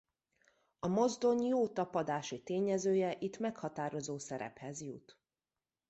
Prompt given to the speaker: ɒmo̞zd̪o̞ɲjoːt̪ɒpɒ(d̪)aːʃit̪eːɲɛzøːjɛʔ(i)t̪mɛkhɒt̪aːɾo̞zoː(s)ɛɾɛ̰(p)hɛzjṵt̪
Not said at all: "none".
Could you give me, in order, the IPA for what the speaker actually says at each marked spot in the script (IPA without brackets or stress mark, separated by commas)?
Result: d̪, i, s, p